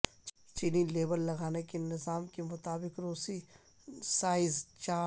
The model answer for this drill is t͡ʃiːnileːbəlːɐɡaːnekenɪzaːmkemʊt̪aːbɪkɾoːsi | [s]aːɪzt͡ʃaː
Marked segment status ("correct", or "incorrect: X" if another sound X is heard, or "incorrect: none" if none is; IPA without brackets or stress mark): correct